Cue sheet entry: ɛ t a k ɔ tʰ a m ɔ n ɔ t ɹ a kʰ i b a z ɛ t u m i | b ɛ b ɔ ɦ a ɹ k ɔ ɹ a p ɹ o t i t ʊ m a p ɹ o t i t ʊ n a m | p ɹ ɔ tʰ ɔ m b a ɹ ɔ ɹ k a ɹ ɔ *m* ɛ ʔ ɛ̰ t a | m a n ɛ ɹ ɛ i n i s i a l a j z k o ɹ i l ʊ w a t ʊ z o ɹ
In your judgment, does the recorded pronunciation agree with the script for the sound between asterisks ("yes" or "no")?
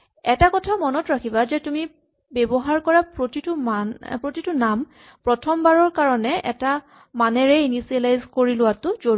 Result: no